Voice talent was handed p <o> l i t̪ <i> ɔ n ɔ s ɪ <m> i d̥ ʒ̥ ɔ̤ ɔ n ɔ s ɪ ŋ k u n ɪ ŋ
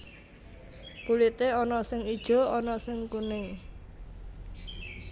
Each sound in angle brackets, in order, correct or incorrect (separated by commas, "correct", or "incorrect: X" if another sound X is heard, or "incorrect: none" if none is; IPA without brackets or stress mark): incorrect: u, incorrect: e, incorrect: ŋ